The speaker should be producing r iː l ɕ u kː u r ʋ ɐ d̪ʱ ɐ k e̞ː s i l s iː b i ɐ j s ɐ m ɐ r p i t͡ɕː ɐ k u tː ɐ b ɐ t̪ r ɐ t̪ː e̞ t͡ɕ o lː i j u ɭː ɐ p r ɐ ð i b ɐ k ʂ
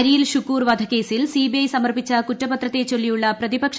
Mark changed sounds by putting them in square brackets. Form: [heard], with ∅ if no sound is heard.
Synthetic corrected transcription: [ɾ] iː l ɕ u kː [uː] r ʋ ɐ d̪ʱ ɐ k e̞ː s i l s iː b i ɐ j s ɐ m ɐ r p i t͡ɕː ɐ k u tː ɐ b ɐ t̪ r ɐ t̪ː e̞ t͡ɕ o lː i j u ɭː ɐ p r ɐ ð i b ɐ k ʂ